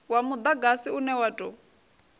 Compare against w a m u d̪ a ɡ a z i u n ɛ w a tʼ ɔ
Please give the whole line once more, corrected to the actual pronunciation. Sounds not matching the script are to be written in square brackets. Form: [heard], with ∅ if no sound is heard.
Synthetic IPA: w a m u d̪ a ɡ a [s] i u n ɛ w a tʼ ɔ